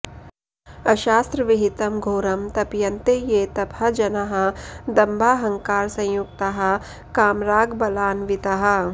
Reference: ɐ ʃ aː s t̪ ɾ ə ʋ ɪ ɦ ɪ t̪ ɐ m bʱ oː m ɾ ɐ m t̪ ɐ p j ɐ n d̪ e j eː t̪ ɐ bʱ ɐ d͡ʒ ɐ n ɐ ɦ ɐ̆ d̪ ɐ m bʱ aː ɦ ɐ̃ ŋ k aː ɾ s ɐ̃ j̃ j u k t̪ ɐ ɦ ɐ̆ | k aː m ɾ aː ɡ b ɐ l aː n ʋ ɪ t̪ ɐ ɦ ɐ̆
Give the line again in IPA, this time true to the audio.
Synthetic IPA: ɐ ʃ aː s t̪ ɾ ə ʋ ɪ ɦ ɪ t̪ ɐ m ɡʱ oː ɾ ɐ m t̪ ɐ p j ɐ n t̪ e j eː t̪ ɐ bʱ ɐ d͡ʒ ɐ n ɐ ɦ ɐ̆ d̪ ɐ m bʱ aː ɦ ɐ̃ ŋ k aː ɾ s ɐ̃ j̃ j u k t̪ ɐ ɦ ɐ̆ | k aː m ɾ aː ɡ b ɐ l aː n ʋ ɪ t̪ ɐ ɦ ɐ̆